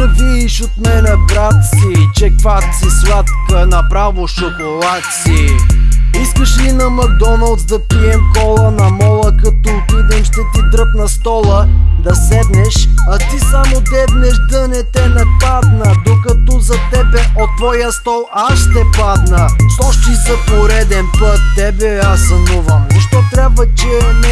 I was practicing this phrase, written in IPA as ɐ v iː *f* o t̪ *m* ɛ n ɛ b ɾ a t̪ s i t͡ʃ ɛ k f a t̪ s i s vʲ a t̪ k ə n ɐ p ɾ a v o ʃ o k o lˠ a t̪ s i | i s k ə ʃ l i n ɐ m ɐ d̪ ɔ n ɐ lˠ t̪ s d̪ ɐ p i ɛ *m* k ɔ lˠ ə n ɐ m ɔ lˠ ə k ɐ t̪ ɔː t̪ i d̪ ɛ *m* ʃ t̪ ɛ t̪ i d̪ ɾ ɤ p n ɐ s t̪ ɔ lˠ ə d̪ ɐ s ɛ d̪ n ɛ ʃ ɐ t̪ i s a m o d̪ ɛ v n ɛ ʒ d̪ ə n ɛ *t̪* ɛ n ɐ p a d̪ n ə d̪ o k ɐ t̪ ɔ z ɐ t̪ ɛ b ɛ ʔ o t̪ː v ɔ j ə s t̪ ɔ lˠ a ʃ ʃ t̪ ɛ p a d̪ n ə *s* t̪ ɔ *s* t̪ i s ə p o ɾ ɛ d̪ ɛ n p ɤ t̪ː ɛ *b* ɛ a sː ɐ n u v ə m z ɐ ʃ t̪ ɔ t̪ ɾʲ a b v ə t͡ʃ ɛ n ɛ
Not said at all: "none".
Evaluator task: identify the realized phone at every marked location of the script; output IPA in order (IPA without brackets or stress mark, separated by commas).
ʃ, m, m, m, t̪, ʃ, ʃ, b